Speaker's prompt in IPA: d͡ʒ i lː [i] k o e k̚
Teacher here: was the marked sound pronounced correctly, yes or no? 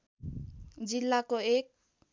no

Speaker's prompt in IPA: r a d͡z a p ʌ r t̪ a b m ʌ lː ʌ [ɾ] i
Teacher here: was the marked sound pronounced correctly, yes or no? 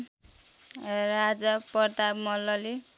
no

